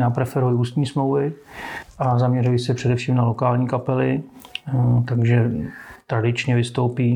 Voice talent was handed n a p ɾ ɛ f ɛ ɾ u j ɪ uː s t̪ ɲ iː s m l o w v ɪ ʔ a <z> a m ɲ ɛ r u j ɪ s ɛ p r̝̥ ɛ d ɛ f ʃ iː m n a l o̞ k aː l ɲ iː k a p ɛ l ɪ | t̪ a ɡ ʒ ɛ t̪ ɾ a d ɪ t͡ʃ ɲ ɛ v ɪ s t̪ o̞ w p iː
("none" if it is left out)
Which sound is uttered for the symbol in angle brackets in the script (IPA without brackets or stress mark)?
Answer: z